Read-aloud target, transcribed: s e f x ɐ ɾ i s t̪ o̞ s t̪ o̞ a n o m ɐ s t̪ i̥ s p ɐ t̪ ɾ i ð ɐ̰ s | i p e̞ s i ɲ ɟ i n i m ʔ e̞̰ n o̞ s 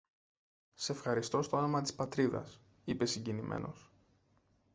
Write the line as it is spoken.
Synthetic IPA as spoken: s e f x ɐ ɾ i s t̪ o̞ s t̪ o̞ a n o m ɐ t̪ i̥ s p ɐ t̪ ɾ i ð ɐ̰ s | i p e̞ s i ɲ ɟ i n i m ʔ e̞̰ n o̞ s